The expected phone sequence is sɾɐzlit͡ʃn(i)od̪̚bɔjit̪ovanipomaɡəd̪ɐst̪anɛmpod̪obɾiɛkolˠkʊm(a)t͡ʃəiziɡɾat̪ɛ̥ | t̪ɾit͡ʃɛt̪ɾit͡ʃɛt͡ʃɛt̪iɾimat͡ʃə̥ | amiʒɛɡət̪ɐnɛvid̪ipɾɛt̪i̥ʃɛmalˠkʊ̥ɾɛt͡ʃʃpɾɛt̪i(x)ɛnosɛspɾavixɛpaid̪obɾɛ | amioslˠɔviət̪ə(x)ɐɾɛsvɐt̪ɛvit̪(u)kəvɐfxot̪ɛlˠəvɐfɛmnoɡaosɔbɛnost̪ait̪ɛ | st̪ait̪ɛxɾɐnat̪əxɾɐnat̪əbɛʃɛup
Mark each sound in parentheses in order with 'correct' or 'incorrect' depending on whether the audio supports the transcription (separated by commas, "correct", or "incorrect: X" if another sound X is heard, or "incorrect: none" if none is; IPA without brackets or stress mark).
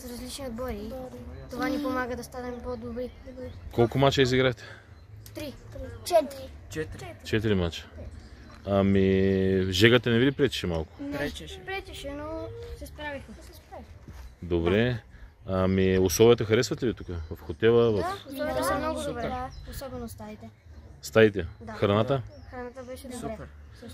correct, correct, incorrect: ʃ, correct, correct